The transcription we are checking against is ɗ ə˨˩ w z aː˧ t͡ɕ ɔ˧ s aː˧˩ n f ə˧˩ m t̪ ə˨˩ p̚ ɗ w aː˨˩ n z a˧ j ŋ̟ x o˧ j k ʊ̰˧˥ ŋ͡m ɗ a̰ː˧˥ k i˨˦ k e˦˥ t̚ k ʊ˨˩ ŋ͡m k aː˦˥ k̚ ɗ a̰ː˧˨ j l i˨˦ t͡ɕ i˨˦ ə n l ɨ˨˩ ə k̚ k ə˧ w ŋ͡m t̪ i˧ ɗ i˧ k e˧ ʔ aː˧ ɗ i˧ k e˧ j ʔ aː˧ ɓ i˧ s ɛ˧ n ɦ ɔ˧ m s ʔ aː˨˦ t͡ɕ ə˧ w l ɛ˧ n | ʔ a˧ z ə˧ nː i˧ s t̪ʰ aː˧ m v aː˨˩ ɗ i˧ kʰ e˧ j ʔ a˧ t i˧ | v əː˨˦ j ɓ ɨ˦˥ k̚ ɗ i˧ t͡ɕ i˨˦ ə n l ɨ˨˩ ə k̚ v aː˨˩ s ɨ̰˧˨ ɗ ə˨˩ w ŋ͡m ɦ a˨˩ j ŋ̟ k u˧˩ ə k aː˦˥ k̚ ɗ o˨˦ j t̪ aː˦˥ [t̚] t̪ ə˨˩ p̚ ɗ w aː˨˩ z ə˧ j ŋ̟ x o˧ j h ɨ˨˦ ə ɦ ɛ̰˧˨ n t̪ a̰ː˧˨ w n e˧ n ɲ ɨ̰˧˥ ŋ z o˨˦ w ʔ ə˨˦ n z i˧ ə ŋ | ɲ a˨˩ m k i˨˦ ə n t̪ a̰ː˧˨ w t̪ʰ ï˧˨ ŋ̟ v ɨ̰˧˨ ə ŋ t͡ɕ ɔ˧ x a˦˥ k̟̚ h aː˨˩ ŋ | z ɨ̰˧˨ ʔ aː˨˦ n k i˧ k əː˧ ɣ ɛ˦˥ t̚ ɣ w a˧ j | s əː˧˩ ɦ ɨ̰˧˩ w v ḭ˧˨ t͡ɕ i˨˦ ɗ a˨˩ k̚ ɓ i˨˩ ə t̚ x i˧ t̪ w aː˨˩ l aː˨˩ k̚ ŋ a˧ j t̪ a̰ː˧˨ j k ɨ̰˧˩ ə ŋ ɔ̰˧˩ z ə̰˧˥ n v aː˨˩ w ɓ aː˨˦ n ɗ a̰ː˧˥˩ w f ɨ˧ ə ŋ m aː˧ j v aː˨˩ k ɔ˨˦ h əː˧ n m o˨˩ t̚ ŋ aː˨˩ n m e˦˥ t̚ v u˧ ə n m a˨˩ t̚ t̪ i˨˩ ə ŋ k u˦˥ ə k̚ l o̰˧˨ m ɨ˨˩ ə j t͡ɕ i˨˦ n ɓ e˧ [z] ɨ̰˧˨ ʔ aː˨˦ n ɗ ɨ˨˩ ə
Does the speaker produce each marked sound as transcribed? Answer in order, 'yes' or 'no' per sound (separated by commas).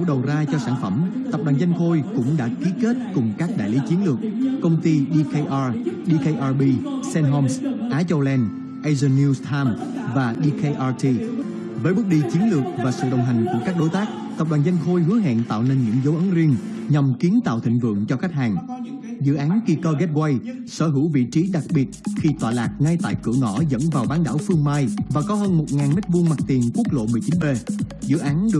no, yes